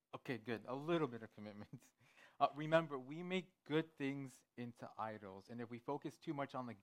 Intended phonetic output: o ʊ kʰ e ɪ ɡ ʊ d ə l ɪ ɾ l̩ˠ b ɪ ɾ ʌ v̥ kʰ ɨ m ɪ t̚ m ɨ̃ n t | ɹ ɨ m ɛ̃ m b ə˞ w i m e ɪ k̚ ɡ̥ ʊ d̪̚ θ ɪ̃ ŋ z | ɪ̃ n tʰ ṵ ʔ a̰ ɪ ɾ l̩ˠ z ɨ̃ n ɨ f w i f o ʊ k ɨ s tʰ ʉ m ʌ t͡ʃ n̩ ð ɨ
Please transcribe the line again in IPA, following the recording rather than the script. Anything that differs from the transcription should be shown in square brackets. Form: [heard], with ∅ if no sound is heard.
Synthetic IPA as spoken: o ʊ kʰ e ɪ ɡ ʊ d ə l ɪ ɾ l̩ˠ b ɪ ɾ ʌ v̥ kʰ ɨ m ɪ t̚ m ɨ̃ n t | ɹ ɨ m ɛ̃ m b ə˞ w i m e ɪ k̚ ɡ̥ ʊ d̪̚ θ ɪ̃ ŋ z | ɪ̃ n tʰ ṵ ʔ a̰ ɪ ɾ l̩ˠ z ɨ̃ n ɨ f w i f o ʊ k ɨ s tʰ ʉ m ʌ t͡ʃ n̩ ð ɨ